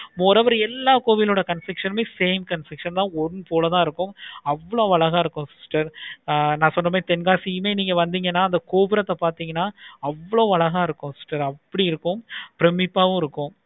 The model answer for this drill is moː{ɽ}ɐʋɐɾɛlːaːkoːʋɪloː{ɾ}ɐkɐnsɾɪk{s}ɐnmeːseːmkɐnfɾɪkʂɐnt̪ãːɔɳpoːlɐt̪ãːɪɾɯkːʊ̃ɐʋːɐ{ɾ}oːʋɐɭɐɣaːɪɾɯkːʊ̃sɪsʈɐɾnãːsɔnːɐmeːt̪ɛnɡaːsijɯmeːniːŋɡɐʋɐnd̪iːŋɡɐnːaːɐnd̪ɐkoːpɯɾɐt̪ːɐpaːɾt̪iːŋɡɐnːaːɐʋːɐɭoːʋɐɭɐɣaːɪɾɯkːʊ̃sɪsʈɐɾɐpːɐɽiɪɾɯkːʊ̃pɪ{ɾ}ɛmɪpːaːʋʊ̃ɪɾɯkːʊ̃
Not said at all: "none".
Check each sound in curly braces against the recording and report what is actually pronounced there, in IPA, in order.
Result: ɾ, ɽ, ʂ, ɭ, ɾ

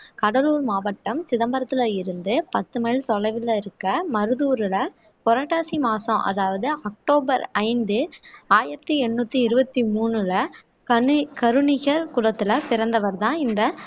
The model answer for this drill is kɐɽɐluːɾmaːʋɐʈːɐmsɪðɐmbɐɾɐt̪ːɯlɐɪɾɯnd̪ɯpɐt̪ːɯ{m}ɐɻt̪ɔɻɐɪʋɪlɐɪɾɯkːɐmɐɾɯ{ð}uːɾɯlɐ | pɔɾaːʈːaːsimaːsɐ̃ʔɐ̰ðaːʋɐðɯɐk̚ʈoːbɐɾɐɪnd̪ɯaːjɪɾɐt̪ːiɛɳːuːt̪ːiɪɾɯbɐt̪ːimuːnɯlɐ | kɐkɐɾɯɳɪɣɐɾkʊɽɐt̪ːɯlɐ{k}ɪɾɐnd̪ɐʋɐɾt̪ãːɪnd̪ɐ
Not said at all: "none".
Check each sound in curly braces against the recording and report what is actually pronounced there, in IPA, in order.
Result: m, ð, p

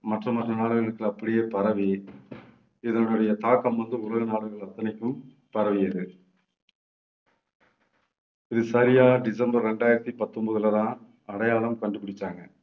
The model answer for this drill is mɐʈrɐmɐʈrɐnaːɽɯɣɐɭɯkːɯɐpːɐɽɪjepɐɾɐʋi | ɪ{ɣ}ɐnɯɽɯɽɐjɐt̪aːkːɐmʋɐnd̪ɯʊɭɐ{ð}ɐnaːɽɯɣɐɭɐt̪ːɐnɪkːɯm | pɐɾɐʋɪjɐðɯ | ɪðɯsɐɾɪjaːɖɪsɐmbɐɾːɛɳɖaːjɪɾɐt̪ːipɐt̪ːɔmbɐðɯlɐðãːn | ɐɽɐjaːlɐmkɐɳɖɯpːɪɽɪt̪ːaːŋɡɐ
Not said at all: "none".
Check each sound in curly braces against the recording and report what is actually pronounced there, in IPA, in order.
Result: ð, ɣ

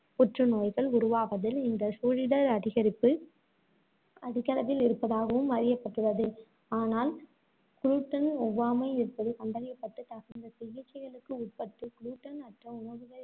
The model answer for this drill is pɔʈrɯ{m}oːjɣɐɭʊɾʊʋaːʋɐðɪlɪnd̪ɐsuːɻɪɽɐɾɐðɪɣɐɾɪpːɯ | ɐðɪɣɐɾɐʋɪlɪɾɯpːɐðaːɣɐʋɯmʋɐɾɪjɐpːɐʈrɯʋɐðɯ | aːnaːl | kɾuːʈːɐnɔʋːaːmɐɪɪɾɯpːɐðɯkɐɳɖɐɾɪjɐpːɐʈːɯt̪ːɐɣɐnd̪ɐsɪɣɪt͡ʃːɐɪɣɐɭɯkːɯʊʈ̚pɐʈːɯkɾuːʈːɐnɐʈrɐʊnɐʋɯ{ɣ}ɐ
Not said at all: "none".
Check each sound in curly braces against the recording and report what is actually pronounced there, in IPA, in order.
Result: n, ɣ

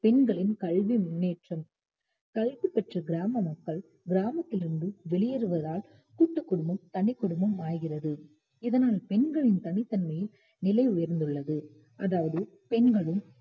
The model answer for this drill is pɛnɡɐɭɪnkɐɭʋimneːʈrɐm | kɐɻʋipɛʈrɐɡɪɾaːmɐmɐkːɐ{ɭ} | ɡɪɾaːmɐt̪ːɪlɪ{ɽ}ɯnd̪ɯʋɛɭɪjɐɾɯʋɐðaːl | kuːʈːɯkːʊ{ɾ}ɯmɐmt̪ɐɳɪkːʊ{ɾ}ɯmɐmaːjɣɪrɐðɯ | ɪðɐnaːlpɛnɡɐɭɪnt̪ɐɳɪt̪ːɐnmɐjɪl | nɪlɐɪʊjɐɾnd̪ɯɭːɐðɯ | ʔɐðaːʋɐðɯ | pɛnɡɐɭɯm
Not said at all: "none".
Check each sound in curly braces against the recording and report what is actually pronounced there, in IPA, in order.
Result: ɭ, ɾ, ɽ, ɽ

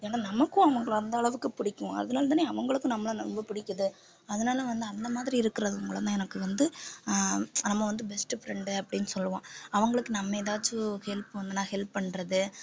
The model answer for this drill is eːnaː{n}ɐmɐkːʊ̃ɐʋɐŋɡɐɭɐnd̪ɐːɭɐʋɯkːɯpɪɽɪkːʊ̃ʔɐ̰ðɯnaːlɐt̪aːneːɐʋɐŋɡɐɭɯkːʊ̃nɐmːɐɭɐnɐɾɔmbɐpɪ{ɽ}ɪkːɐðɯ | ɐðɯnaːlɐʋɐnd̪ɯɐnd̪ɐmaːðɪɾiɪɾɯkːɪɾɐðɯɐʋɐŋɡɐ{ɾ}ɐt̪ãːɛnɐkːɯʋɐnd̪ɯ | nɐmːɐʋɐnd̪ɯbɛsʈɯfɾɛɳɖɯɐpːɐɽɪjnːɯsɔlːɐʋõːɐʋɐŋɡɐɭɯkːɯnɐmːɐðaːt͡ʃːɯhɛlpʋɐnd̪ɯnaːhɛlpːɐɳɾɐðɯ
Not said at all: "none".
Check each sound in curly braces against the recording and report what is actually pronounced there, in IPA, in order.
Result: n, ɽ, ɭ

